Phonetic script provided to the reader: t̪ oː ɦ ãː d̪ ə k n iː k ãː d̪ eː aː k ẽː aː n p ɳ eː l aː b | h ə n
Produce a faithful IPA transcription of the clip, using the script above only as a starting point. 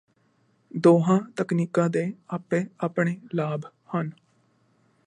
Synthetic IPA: d̪ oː ɦ ãː t̪ ə k n iː k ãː d̪ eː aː p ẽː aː p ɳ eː l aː b | h ə n